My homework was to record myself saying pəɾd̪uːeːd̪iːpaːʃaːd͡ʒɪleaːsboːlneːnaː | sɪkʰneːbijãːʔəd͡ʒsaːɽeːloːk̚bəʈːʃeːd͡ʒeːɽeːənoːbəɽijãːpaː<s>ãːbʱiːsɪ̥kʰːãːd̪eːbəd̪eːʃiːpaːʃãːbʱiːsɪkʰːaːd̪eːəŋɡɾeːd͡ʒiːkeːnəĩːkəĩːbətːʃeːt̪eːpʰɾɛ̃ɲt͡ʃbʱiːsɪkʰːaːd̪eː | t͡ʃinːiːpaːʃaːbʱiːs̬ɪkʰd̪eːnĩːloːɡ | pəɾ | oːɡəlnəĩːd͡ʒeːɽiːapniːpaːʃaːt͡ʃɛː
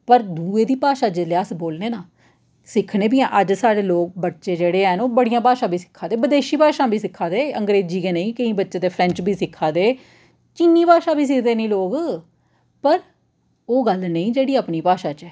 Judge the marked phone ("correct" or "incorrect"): incorrect